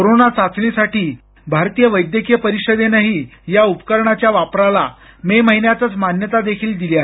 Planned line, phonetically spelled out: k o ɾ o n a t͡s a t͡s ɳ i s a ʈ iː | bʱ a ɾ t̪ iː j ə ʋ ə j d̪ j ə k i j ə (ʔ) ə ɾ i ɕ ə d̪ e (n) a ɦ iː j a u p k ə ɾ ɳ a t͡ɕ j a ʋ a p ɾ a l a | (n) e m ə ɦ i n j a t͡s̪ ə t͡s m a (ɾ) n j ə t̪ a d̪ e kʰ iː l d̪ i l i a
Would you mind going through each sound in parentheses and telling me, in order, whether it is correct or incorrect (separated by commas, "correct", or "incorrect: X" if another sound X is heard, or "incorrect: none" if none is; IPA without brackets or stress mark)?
incorrect: p, correct, incorrect: m, incorrect: none